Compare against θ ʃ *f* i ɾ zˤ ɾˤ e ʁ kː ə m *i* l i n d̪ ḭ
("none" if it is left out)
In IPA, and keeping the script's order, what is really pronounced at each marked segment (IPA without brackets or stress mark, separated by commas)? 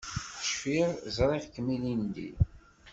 f, i